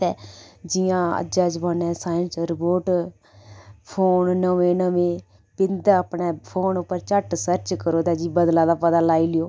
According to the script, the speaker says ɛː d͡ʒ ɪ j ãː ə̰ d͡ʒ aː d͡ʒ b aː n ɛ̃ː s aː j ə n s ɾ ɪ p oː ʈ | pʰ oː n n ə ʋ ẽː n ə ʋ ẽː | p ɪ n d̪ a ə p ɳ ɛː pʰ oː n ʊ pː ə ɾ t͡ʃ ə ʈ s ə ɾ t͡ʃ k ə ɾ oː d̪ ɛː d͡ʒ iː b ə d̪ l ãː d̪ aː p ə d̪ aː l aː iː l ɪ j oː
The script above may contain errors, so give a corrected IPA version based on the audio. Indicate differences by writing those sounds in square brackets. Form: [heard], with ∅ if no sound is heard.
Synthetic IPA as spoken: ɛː d͡ʒ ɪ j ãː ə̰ d͡ʒ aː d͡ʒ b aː n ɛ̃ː s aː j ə n s ɾ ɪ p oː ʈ | pʰ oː n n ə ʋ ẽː n ə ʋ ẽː | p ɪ n d̪ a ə p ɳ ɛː pʰ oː n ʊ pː ə ɾ t͡ʃ ə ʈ s ə ɾ t͡ʃ k ə ɾ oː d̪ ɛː d͡ʒ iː b ə d̪ l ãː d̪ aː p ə d̪ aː l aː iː l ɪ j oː